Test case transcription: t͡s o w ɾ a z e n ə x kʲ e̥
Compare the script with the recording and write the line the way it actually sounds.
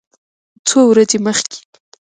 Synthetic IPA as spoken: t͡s o w ɾ a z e m ə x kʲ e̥